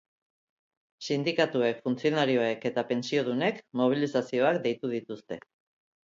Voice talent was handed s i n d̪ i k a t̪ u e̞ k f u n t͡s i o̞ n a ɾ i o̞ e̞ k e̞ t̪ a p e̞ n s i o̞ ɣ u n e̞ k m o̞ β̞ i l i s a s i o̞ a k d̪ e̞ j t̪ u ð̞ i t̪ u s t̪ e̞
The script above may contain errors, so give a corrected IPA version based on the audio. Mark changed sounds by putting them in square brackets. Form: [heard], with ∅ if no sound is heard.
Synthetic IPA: s i n d̪ i k a t̪ u e̞ k f u n t͡s i o̞ n a ɾ i o̞ e̞ k e̞ t̪ a p e̞ n s i o̞ [ð] u n e̞ k m o̞ β̞ i l i s a s i o̞ a k d̪ e̞ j t̪ u ð̞ i t̪ u s t̪ e̞